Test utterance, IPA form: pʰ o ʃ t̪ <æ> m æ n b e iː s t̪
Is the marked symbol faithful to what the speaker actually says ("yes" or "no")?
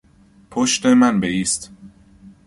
no